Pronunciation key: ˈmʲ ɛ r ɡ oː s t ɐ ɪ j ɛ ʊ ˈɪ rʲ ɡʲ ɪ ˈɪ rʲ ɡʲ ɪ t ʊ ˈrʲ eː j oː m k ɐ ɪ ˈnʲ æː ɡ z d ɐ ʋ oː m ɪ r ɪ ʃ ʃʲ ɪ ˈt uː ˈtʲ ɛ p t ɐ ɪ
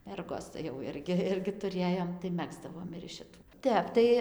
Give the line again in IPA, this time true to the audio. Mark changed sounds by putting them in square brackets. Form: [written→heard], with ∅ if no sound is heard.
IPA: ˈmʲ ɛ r ɡ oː s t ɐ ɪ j ɛ ʊ ˈɪ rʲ ɡʲ ɪ ˈɪ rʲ ɡʲ ɪ t ʊ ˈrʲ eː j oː m [k→t] ɐ ɪ [ˈnʲ→ˈmʲ] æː ɡ z d ɐ ʋ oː m ɪ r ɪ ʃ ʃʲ ɪ ˈt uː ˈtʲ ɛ p t ɐ ɪ